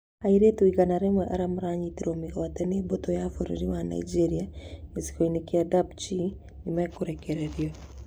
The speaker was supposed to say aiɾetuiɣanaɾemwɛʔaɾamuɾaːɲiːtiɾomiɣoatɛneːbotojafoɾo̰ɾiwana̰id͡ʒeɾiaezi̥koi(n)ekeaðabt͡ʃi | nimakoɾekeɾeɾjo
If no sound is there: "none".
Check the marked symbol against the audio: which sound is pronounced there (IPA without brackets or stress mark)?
n